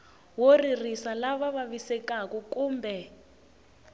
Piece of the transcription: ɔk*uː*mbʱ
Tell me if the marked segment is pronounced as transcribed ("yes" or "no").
yes